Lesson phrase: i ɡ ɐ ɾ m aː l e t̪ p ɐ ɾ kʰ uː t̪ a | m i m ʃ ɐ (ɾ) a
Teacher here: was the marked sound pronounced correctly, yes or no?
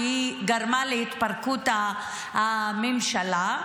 no